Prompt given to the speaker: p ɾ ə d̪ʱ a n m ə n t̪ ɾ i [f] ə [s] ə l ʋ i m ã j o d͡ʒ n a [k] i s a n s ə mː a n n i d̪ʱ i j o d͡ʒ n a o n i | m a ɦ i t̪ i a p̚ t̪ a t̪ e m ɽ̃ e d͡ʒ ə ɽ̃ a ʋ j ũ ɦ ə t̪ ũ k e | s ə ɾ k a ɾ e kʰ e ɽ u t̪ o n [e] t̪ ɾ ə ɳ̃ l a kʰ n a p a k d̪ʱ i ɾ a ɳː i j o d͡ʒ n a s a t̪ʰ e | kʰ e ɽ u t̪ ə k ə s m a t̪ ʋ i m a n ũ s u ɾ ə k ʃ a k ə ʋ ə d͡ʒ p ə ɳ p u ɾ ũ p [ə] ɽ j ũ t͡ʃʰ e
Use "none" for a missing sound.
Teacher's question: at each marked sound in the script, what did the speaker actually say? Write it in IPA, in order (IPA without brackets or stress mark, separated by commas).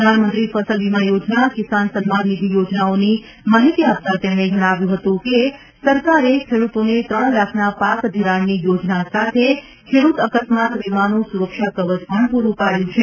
f, s, k, e, a